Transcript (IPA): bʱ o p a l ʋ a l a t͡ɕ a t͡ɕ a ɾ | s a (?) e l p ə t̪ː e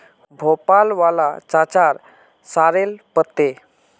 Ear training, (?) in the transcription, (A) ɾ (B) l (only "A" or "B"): A